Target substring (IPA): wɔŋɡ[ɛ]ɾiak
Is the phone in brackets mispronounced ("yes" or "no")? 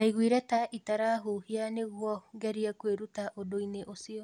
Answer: no